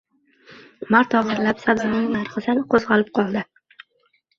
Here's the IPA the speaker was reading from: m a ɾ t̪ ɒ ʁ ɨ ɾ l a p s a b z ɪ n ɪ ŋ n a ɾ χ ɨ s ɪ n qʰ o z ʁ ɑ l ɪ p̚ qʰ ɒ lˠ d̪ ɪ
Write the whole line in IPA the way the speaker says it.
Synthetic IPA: m a ɾ t̪ ɒ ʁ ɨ ɾ l a p s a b z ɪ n ɪ ŋ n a ɾ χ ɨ s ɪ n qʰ o z ʁ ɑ l ɪ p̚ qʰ ɒ lˠ d̪ ɪ